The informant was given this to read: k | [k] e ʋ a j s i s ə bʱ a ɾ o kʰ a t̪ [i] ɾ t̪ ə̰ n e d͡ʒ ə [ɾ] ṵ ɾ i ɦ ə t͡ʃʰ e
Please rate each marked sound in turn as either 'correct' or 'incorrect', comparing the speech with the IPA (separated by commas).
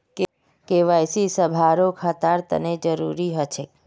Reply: correct, incorrect, correct